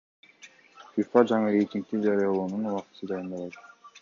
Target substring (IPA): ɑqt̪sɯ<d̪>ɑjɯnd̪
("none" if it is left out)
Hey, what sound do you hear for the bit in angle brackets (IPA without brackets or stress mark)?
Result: d̪